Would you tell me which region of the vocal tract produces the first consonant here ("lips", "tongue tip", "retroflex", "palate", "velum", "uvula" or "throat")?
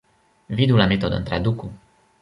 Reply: lips